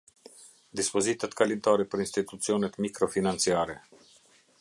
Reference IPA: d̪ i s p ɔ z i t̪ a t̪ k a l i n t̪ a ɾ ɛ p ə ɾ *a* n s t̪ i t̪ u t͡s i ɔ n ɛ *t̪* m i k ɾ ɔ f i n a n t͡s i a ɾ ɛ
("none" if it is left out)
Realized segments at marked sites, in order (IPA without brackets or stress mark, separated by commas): i, t̪